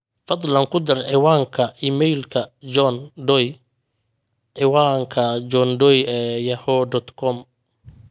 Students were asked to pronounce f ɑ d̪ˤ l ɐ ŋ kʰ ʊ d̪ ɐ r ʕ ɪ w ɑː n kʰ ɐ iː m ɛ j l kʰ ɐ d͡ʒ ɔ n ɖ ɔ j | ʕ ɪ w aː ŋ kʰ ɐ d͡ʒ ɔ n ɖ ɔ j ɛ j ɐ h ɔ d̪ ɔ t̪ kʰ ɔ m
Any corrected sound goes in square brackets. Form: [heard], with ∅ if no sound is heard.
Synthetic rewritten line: f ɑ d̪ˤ l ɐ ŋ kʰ ʊ d̪ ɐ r ʕ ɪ w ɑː [ŋ] kʰ ɐ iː m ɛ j l kʰ ɐ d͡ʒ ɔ n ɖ ɔ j | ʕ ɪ w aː ŋ kʰ ɐ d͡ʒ ɔ n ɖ ɔ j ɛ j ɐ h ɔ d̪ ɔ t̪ kʰ ɔ m

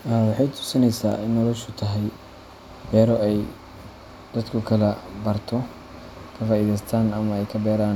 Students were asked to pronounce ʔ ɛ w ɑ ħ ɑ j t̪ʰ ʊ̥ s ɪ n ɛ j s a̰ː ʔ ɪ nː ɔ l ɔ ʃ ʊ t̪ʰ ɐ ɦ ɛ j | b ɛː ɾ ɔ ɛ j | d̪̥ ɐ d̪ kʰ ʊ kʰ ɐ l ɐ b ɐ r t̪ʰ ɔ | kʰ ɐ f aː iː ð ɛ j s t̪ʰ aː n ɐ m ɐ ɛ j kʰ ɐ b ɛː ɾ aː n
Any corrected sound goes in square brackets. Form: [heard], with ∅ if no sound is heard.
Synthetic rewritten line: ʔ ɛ w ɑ ħ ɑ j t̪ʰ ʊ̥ s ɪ n ɛ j s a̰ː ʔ ɪ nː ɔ l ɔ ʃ ʊ t̪ʰ ɐ ɦ ɛ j | b ɛː ɾ ɔ ɛ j | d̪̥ ɐ d̪ kʰ ʊ kʰ ɐ l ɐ b ɐ r t̪ʰ ɔ | kʰ ɐ f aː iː ð ɛ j s t̪ʰ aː n ɐ m ɐ ɛ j kʰ ɐ b ɛː ɾ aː n

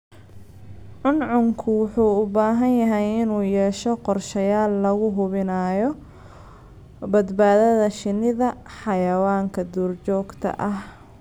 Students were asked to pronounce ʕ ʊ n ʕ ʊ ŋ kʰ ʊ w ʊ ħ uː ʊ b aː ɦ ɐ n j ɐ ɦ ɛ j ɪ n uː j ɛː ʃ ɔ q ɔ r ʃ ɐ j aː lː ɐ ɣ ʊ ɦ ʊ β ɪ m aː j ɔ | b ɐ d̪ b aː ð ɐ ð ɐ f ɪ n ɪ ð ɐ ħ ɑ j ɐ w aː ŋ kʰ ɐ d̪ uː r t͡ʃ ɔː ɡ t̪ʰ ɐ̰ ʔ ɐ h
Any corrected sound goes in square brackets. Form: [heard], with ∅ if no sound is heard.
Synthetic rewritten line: ʕ ʊ n ʕ ʊ ŋ kʰ ʊ w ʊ ħ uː ʊ b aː ɦ ɐ n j ɐ ɦ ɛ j ɪ n uː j ɛː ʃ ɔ q ɔ r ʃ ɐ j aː lː ɐ ɣ ʊ ɦ ʊ β ɪ [n] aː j ɔ | b ɐ d̪ b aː ð ɐ ð ɐ [ʃ] ɪ n ɪ ð ɐ ħ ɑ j ɐ w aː ŋ kʰ ɐ d̪ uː r t͡ʃ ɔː ɡ t̪ʰ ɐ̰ ʔ ɐ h

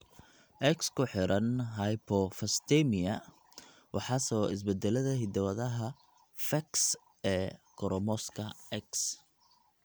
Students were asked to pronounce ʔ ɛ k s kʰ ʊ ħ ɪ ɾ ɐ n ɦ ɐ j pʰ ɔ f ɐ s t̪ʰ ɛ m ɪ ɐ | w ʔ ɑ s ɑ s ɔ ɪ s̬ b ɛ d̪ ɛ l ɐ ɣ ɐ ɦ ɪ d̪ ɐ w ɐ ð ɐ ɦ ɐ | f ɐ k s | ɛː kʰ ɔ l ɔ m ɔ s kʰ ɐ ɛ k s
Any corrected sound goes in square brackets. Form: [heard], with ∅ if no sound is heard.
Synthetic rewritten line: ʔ ɛ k s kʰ ʊ ħ ɪ ɾ ɐ n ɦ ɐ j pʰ ɔ f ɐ s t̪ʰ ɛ m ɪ ɐ | w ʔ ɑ [ħ] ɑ s ɔ ɪ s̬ b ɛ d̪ ɛ l ɐ [ð] ɐ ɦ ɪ d̪ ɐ w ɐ ð ɐ ɦ ɐ | f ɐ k s | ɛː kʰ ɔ [ɾ] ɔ m ɔ s kʰ ɐ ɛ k s

